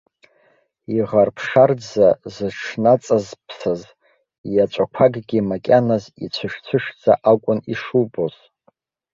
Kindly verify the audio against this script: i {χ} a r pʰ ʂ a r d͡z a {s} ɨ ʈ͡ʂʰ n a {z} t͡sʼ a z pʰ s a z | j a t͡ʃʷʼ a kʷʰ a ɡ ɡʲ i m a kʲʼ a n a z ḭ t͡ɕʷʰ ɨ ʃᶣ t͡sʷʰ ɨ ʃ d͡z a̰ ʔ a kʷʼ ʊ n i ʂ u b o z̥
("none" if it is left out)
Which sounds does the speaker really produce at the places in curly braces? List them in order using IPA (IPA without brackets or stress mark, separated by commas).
ʁ, z, none